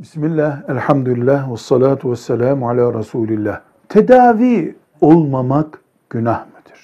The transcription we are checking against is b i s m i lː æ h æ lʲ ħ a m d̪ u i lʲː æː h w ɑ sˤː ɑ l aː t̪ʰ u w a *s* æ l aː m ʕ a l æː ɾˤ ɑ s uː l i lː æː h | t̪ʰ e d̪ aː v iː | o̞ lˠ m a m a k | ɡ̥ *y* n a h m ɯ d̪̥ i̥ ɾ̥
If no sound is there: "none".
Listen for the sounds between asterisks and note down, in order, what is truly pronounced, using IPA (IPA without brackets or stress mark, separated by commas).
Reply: sː, y